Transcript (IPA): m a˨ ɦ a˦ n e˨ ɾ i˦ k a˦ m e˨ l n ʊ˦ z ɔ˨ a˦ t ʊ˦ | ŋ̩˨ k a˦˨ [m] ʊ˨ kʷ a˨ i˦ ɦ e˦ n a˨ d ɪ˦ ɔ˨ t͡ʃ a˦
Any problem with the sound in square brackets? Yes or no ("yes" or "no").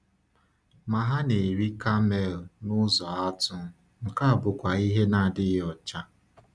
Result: yes